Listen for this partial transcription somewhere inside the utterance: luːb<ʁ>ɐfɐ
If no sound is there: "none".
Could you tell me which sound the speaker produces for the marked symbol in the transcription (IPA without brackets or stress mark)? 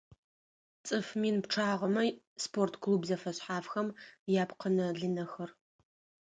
z